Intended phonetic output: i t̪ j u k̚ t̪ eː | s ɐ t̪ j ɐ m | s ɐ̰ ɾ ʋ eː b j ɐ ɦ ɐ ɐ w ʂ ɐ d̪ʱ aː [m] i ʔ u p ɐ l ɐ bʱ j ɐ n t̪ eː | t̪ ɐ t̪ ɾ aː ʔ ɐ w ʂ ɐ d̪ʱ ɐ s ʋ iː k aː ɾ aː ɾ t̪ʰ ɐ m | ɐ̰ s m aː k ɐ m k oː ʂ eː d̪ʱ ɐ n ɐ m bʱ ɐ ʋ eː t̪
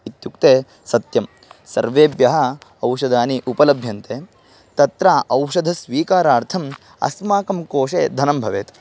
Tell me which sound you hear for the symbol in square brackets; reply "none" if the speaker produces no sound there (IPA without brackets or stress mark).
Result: n